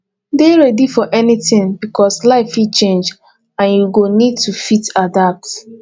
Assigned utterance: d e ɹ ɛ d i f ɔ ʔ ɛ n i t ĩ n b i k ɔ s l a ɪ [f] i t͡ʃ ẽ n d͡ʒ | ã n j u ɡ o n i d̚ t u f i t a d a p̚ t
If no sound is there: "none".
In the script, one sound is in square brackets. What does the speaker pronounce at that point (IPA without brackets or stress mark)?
f